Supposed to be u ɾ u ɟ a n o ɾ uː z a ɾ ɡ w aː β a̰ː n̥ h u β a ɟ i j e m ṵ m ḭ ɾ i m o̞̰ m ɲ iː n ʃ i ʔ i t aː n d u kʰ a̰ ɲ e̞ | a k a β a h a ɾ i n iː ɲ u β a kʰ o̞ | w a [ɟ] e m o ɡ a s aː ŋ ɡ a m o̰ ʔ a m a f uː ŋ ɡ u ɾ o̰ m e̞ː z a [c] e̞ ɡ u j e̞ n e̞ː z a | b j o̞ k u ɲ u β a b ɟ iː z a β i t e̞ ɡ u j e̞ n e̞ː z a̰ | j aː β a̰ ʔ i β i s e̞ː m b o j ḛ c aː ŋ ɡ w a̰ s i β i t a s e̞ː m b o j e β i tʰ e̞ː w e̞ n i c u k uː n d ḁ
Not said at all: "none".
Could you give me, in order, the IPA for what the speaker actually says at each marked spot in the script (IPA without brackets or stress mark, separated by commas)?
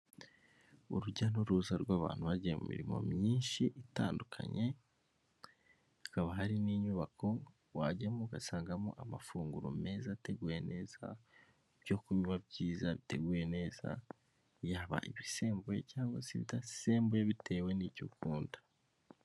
ɟ, t